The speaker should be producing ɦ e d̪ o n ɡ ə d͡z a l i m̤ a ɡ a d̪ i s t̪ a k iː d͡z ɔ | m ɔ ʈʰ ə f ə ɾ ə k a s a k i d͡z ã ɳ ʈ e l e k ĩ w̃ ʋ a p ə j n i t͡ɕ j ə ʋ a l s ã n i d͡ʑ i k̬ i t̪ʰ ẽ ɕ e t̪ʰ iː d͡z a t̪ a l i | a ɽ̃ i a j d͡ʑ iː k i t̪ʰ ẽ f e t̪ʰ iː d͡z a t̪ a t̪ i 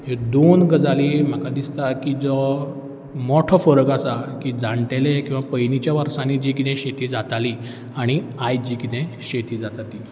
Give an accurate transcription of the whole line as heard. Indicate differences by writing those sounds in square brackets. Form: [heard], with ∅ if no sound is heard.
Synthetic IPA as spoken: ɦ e d̪ o n ɡ ə d͡z a l i m̤ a [k] a d̪ i s t̪ a k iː d͡z ɔ | m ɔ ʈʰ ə f ə ɾ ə k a s a k i d͡z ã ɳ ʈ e l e k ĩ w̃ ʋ a p ə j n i t͡ɕ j [a] ʋ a [ɾ] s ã n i d͡ʑ i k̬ i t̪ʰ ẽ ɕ e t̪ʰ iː d͡z a t̪ a l i | a ɽ̃ i a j d͡ʑ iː k i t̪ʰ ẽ [ɕ] e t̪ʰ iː d͡z a t̪ a t̪ i